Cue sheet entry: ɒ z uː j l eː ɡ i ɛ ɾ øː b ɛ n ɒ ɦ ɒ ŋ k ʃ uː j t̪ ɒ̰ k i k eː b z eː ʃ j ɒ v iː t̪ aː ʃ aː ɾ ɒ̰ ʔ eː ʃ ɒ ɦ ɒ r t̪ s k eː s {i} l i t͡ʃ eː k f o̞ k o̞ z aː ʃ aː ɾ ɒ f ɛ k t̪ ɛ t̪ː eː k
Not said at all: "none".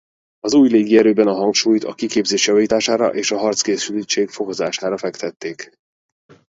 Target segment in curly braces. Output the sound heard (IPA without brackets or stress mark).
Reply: y